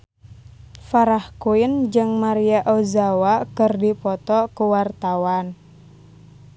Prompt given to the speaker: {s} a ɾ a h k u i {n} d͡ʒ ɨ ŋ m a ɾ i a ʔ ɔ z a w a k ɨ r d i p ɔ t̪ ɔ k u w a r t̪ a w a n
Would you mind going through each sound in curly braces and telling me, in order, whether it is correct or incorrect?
incorrect: f, correct

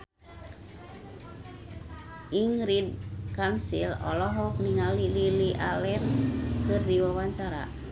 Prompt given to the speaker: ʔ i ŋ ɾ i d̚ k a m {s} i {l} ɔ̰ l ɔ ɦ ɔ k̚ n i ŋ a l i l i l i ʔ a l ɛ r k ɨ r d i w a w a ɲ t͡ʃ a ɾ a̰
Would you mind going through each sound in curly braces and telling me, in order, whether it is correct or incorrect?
correct, correct

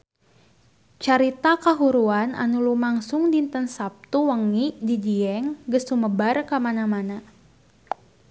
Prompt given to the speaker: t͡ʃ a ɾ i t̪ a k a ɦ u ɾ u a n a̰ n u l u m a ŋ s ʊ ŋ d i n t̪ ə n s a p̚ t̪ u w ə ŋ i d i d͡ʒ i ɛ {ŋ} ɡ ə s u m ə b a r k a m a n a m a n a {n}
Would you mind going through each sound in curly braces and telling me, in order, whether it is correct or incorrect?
correct, incorrect: none

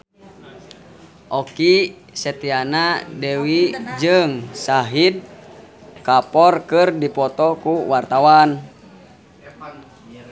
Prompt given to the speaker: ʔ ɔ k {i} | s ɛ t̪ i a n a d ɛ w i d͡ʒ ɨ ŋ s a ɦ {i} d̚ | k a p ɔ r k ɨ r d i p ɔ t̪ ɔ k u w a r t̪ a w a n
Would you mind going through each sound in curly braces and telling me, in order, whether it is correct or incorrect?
correct, correct

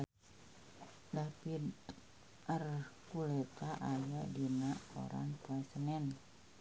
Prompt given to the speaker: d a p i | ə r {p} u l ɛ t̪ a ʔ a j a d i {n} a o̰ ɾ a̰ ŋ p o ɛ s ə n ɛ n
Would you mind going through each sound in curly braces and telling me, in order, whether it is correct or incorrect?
incorrect: k, correct

